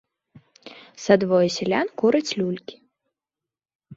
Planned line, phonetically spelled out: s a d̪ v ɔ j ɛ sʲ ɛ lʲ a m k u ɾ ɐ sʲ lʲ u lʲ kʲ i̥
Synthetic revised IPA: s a d̪ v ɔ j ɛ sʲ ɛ lʲ a n k u ɾ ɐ t͡sʲ lʲ u lʲ kʲ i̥